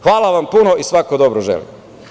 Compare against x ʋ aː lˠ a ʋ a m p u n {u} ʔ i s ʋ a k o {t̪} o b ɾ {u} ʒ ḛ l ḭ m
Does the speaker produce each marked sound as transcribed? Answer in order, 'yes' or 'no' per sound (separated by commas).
no, no, no